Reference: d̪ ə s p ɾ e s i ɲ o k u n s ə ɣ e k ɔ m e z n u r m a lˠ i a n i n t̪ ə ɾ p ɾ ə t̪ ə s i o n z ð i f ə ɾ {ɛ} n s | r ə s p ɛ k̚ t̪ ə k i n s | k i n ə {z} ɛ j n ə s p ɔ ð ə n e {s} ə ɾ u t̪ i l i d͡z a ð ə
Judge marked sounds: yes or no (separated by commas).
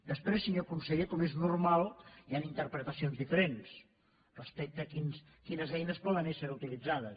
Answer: no, yes, yes